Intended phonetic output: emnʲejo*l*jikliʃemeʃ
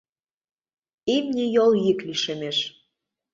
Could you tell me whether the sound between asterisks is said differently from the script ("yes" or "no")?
no